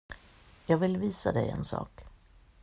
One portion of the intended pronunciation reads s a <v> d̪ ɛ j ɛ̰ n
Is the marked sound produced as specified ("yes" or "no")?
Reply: no